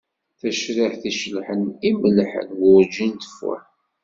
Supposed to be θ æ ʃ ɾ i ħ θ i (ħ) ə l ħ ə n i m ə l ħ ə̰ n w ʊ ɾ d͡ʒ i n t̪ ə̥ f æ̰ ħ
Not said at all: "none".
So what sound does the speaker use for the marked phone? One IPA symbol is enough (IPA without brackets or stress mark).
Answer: ʃ